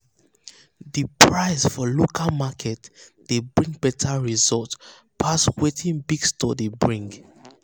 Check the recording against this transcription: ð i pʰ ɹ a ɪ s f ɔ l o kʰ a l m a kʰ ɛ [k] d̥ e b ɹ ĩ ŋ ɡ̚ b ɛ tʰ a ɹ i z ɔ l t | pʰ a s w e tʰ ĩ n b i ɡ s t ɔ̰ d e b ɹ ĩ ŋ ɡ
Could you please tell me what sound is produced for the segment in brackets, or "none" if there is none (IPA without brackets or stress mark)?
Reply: t